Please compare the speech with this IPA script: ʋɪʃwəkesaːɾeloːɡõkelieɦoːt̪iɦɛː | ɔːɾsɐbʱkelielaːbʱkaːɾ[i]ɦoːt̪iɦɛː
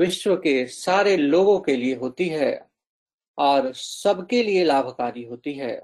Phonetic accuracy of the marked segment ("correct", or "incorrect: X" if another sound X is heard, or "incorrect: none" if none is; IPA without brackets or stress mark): correct